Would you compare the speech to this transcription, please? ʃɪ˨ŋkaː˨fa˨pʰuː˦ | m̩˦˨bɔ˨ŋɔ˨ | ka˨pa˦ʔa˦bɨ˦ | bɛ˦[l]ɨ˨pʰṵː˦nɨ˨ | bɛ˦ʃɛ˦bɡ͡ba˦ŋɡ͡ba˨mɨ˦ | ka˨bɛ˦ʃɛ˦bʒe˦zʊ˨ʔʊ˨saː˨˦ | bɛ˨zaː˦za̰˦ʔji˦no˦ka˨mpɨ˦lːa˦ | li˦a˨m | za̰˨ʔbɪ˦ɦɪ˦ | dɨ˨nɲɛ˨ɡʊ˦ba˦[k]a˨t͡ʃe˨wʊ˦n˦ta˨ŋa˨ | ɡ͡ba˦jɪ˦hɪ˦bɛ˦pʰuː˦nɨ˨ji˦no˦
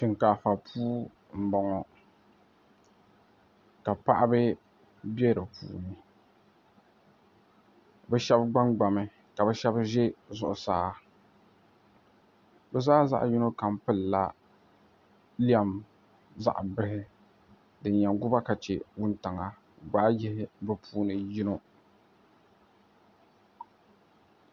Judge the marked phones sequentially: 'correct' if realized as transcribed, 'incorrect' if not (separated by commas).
incorrect, correct